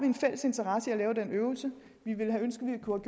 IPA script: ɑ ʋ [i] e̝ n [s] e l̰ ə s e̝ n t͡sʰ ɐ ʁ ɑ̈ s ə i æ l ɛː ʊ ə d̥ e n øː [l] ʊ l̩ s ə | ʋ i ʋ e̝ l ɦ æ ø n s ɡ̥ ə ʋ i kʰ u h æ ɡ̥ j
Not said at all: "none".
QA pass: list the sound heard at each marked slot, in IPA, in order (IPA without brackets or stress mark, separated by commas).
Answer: i, f, none